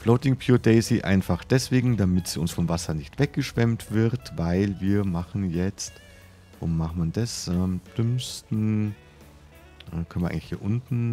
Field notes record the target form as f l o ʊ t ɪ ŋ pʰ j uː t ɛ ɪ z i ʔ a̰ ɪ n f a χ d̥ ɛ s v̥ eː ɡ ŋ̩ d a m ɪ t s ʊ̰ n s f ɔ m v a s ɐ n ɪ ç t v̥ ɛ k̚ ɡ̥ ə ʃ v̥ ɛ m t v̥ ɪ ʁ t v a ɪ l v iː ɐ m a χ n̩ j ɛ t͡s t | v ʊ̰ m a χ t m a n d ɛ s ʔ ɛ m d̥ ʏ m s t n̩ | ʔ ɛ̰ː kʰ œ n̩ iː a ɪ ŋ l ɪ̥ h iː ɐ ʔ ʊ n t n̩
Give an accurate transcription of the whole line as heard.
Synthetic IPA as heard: f l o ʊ t ɪ ŋ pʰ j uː d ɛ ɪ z i ʔ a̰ ɪ n f a χ d̥ ɛ s v̥ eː ɡ ŋ̩ d a m ɪ t s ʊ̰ n s f ɔ m v a s ɐ n ɪ ç t v̥ ɛ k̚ ɡ̥ ə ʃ v̥ ɛ m t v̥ ɪ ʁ t v a ɪ l v iː ɐ m a χ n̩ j ɛ t͡s t | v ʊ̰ m a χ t m a n d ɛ s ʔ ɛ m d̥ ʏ m s t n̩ | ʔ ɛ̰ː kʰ œ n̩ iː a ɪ ŋ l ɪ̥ h iː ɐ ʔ ʊ n t n̩